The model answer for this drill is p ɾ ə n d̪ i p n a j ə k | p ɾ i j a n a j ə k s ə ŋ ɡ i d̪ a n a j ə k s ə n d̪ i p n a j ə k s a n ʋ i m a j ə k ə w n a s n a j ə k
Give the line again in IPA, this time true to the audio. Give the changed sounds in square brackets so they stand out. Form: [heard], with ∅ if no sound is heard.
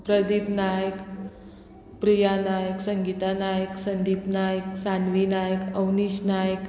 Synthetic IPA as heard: p ɾ ə [∅] d̪ i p n a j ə k | p ɾ i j a n a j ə k s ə ŋ ɡ i [t̪] a n a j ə k s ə n d̪ i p n a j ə k s a n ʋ i [n] a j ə k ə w n [i] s n a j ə k